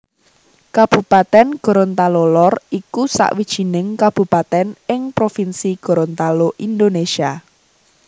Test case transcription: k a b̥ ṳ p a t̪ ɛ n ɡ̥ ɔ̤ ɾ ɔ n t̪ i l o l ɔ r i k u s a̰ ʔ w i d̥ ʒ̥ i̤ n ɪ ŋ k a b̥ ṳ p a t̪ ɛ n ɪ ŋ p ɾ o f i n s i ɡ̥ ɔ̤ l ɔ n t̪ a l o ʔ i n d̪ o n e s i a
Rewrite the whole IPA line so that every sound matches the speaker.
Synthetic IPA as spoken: k a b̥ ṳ p a t̪ ɛ n ɡ̥ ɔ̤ ɾ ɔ n t̪ a l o l ɔ r i k u s a̰ ʔ w i d̥ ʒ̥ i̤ n ɪ ŋ k a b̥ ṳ p a t̪ ɛ n ɪ ŋ p ɾ o f i n s i ɡ̥ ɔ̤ ɾ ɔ n t̪ a l o ʔ i n d̪ o n e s i a